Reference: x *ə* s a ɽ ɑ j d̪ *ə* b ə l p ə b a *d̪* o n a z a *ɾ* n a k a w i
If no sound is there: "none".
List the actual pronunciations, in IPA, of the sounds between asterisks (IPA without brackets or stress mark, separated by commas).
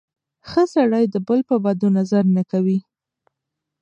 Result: ə, ə, d̪, ɾ